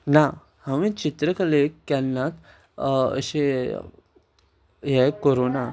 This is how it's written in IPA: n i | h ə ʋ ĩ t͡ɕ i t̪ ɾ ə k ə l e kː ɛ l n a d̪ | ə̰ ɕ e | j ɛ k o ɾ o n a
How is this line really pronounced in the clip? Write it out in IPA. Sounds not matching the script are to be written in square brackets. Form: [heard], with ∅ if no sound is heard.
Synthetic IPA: n [a] | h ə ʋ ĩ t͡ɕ i t̪ ɾ ə k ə l e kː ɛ l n a [t̪] | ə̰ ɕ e | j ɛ k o ɾ o n a